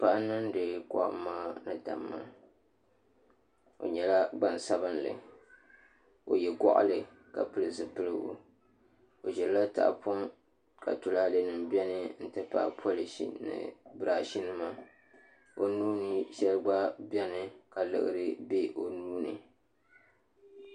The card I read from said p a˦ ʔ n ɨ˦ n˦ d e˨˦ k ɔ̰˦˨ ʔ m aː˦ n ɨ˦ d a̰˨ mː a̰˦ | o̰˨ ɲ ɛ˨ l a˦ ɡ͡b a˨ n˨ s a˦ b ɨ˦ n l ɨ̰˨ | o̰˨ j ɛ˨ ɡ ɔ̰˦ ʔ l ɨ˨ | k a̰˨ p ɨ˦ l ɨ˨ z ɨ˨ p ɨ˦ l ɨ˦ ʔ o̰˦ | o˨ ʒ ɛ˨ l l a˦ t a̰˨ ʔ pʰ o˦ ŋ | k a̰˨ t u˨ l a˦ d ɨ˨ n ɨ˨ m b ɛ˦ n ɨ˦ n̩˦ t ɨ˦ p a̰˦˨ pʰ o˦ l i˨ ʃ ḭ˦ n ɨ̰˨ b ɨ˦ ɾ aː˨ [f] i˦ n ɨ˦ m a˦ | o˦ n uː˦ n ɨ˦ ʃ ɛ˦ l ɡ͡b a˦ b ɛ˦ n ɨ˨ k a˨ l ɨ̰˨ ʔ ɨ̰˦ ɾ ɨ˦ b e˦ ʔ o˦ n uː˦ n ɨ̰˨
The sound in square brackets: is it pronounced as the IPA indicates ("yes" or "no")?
no